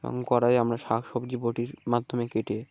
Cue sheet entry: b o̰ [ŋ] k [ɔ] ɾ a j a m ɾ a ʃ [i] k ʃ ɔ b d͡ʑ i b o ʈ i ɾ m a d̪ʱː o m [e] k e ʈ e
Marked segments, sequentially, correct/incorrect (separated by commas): correct, correct, incorrect, correct